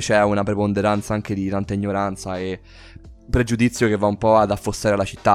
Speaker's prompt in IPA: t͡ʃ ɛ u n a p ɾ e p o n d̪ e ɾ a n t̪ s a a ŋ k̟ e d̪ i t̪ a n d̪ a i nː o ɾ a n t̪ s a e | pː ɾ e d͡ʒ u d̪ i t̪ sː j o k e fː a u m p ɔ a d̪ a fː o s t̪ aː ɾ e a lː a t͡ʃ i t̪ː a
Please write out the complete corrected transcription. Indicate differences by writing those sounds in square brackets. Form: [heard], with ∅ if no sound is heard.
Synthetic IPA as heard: t͡ʃ ɛ u n a p ɾ e p o n d̪ e ɾ a n t̪ s a a ŋ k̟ e d̪ i t̪ a n [t̪] a i [ɲː] o ɾ a n t̪ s a e | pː ɾ e d͡ʒ u d̪ i t̪ sː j o k e [vː] a u m p ɔ a d̪ a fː o s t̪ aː ɾ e a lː a t͡ʃ i t̪ː a